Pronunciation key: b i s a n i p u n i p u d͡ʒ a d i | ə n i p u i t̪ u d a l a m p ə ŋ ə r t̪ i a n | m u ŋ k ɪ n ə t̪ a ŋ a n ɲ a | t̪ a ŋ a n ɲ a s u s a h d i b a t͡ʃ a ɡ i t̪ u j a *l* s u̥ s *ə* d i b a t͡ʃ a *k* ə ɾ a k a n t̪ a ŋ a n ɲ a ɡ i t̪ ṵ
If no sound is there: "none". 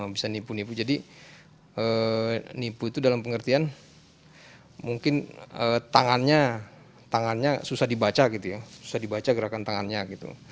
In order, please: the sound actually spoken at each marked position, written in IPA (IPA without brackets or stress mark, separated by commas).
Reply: none, a, ɡ